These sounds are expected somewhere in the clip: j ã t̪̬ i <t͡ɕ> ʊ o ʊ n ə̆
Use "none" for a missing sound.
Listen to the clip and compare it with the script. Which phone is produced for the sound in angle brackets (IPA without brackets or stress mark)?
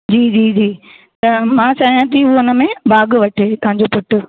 none